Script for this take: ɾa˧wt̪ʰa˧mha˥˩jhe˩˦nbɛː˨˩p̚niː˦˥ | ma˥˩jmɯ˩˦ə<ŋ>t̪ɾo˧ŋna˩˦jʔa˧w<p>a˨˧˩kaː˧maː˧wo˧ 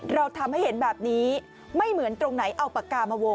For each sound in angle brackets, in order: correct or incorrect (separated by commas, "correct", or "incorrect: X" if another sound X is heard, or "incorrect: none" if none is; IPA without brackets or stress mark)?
incorrect: n, correct